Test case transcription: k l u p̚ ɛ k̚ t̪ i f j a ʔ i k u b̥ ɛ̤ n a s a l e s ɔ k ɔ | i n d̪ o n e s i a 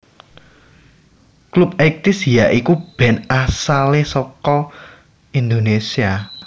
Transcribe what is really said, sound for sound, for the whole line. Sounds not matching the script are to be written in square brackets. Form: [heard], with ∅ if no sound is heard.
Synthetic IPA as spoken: k l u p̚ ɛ k̚ t̪ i [s] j a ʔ i k u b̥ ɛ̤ n a s a l e s ɔ k ɔ | i n d̪ o n e s i a